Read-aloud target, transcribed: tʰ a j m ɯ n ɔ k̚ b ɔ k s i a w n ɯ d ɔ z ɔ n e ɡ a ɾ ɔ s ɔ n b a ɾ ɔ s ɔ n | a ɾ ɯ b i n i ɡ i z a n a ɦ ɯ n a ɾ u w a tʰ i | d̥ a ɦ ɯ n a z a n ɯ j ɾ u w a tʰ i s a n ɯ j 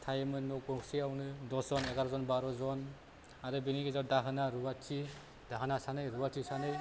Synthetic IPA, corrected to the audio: tʰ a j m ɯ n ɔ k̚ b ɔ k s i a w n ɯ d ɔ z ɔ n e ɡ a ɾ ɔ z ɔ n b a ɾ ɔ z ɔ n | a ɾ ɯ b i n i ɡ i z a d a ɦ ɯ n a ɾ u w a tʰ i | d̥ a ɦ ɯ n a s a n ɯ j ɾ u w a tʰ i s a n ɯ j